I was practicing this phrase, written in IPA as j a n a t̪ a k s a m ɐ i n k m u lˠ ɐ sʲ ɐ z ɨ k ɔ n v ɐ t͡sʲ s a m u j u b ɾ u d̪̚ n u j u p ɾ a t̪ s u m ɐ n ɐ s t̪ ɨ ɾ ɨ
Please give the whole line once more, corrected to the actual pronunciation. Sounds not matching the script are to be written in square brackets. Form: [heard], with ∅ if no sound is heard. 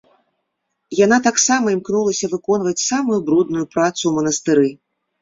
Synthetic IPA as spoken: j a n a t̪ a k s a m ɐ i [m] k [n] u lˠ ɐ sʲ ɐ [v] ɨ k ɔ n v ɐ t͡sʲ s a m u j u b ɾ u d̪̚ n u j u p ɾ a t̪ s u m ɐ n ɐ s t̪ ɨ ɾ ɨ